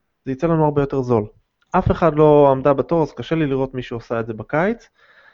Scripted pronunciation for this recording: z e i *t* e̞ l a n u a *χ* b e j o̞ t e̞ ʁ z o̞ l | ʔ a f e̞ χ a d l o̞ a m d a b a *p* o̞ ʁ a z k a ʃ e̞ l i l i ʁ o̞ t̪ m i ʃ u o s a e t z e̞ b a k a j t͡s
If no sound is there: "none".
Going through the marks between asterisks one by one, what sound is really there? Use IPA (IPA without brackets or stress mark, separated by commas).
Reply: t͡s, ʁ, t